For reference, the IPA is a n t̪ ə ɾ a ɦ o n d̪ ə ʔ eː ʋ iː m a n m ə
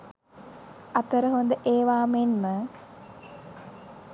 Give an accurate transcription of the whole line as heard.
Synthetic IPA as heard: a t̪ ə ɾ ə ɦ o n d̪ ə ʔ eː ʋ aː m e n m ə